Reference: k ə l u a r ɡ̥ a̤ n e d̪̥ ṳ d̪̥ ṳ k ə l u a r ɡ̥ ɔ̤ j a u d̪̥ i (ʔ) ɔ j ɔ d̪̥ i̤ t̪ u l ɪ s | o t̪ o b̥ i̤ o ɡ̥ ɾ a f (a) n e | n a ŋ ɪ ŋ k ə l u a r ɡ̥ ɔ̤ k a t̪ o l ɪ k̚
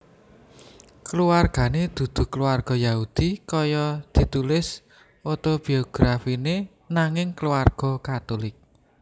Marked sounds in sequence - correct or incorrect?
incorrect: k, incorrect: i

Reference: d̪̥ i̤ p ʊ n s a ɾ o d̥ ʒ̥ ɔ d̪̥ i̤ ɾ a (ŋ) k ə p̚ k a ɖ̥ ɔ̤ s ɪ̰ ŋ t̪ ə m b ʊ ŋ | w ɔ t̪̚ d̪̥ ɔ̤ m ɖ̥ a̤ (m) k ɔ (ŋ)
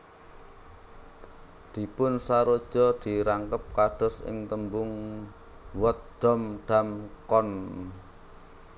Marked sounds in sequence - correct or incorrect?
correct, correct, incorrect: n

